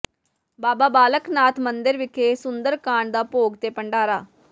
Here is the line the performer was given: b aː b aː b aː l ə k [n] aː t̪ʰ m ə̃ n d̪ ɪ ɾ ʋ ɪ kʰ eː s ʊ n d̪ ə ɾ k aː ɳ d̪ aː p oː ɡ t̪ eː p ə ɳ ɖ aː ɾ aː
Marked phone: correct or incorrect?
correct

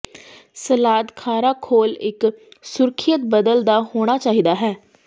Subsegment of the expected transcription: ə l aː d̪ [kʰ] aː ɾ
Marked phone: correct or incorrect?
correct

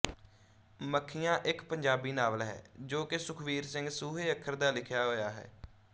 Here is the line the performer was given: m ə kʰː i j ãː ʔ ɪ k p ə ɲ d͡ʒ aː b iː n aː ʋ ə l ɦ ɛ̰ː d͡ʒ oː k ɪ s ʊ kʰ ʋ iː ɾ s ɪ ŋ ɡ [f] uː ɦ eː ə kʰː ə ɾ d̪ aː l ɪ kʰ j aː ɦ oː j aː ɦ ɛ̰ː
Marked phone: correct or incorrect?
incorrect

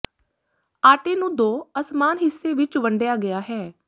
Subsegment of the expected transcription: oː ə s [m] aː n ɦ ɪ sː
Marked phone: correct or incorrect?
correct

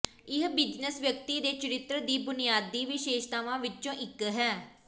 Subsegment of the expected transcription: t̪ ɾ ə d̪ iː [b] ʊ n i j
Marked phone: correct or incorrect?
correct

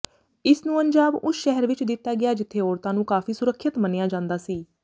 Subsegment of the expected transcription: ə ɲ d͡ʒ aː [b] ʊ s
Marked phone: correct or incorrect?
correct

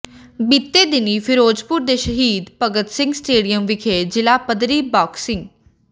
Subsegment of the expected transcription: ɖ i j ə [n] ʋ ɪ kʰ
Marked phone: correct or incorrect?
incorrect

